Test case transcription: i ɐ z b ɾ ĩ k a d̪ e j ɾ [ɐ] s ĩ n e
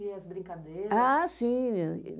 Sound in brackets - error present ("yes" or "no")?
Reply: yes